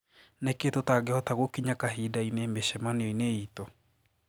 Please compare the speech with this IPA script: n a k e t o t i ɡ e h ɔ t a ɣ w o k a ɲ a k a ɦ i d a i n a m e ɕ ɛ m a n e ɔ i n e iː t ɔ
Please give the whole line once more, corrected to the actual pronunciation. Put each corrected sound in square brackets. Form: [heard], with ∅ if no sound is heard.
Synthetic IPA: n [e] k e t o t [a] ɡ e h ɔ t a ɣ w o k [i] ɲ a k a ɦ i d a i n [e] m e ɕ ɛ m a n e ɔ i n e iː t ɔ